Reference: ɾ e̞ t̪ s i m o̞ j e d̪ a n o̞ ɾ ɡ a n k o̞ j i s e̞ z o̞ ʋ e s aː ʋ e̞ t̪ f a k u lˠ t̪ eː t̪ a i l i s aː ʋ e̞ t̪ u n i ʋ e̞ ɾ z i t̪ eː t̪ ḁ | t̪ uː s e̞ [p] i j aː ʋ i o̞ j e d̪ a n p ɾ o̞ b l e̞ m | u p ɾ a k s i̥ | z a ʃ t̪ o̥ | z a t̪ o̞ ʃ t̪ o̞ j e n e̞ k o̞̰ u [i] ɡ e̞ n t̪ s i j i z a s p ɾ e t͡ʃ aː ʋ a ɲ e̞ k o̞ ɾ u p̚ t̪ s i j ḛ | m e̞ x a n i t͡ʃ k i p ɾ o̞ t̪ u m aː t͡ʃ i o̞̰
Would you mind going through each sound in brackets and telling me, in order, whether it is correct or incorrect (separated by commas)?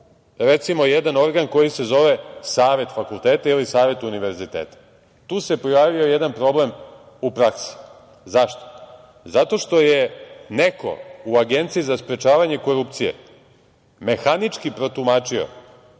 correct, incorrect